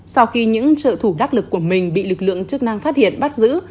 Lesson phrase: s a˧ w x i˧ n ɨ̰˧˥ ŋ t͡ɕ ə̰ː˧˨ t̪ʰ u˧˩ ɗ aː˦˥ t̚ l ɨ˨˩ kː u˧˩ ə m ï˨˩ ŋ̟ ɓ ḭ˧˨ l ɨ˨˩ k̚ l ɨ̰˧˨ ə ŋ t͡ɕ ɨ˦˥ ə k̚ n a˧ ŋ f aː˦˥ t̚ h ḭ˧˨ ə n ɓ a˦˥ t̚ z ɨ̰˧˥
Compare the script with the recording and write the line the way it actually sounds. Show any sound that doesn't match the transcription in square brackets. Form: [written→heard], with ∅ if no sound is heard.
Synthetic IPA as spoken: s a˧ w x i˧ [n→ɲ] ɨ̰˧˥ ŋ t͡ɕ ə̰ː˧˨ t̪ʰ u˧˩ ɗ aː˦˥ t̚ l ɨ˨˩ kː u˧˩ ə m ï˨˩ ŋ̟ ɓ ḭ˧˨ l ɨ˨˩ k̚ l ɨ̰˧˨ ə ŋ t͡ɕ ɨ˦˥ ə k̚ n a˧ ŋ f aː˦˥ t̚ h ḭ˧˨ ə n ɓ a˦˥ t̚ z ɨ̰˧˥

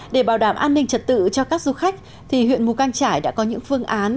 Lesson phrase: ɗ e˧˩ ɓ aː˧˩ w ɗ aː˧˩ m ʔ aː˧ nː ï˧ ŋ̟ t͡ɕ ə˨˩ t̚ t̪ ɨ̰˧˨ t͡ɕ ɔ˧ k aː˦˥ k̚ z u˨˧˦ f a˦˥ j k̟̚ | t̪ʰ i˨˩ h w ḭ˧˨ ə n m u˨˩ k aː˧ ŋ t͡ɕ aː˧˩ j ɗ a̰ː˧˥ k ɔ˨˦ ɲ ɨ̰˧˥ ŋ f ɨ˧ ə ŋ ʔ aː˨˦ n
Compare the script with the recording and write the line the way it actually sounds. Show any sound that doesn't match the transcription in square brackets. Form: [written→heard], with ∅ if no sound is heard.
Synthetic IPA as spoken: ɗ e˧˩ ɓ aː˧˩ w ɗ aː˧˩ m ʔ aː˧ nː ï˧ ŋ̟ t͡ɕ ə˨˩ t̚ t̪ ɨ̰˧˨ t͡ɕ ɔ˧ k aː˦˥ k̚ z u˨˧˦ [f→x] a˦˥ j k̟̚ | t̪ʰ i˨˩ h w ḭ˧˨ ə n m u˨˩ k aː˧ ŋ t͡ɕ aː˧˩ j ɗ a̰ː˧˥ k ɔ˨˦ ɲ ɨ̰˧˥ ŋ f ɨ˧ ə ŋ ʔ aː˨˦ n

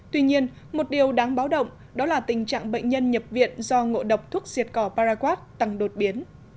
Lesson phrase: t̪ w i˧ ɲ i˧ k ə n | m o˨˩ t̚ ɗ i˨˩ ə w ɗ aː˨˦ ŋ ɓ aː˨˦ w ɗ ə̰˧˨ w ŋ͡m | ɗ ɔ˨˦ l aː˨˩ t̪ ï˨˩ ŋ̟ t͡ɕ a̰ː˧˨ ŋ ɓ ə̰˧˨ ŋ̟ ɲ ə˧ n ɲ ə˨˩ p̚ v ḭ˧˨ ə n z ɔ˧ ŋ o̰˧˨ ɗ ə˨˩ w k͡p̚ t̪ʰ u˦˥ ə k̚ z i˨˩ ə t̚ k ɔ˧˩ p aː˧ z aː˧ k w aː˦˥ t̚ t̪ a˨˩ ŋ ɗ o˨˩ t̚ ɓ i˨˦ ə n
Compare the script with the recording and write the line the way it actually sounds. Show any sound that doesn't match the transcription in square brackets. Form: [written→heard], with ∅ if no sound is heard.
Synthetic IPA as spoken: t̪ w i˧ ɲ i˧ [k→∅] ə n | m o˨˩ t̚ ɗ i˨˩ ə w ɗ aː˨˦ ŋ ɓ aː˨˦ w ɗ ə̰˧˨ w ŋ͡m | ɗ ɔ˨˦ l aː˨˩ t̪ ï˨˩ ŋ̟ t͡ɕ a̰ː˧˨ ŋ ɓ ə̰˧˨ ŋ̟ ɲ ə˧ n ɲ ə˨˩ p̚ v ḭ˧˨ ə n z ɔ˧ ŋ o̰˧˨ ɗ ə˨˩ w k͡p̚ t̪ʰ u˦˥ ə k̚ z i˨˩ ə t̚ k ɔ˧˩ p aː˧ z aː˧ k w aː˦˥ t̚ t̪ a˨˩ ŋ ɗ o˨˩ t̚ ɓ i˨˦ ə n

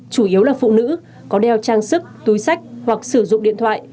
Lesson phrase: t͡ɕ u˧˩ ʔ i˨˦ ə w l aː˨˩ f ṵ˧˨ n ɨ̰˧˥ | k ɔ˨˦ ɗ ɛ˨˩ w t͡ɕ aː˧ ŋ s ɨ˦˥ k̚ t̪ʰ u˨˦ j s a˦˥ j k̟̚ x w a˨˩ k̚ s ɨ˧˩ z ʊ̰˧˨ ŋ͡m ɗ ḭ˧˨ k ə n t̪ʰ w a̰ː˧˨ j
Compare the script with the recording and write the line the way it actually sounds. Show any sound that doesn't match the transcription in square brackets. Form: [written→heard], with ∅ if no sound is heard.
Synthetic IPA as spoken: t͡ɕ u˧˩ ʔ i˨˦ ə w l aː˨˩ f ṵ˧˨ n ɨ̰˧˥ | k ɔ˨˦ ɗ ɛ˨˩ w t͡ɕ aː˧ ŋ s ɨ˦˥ k̚ [t̪ʰ→t̪] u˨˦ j s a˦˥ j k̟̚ [x→h] w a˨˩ k̚ s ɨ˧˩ z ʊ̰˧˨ ŋ͡m ɗ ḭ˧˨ [k→∅] ə n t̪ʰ w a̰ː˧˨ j

